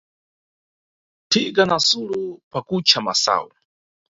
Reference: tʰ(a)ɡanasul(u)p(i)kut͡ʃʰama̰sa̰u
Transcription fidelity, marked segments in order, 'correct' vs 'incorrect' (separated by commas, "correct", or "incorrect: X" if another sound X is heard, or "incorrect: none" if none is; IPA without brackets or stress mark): incorrect: i, correct, incorrect: a